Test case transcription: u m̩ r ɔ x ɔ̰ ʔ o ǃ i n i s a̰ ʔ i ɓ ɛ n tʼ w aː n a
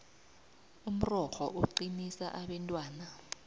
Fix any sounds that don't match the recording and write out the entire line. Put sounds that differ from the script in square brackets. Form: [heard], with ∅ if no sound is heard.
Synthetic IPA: u m̩ r ɔ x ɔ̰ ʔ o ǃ i n i s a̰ ʔ [a] ɓ ɛ n tʼ w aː n a